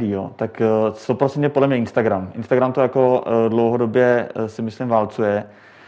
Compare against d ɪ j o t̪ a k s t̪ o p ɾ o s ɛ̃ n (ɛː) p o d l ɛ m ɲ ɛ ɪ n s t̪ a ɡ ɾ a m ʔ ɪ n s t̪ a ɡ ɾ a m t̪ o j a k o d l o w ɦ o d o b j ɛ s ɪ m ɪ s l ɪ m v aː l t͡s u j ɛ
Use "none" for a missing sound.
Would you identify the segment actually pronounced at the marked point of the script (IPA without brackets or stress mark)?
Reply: ɛ